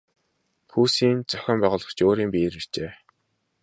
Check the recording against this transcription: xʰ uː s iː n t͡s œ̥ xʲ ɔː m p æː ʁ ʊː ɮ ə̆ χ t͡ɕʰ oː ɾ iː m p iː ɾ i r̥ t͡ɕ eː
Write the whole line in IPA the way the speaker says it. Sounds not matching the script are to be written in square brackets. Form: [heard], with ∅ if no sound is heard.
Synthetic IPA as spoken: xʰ uː s iː n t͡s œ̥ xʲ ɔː m p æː ʁ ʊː ɮ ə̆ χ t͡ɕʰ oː ɾ iː m p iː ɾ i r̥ t͡ɕ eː